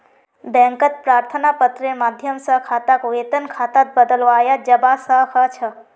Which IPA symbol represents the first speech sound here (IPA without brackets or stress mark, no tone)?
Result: b